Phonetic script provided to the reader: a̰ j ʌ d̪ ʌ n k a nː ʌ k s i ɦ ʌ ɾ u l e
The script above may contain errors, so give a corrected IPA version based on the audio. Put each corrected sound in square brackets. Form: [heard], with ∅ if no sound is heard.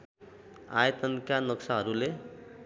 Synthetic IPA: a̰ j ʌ [t̪] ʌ n k a [n] ʌ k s [a] ɦ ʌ ɾ u l e